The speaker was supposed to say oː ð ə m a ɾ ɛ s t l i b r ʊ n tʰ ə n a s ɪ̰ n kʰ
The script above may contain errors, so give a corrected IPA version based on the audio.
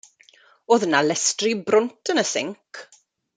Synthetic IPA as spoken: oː ð ə n a l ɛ s t r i b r ʊ n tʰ ə n ə s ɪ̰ ŋ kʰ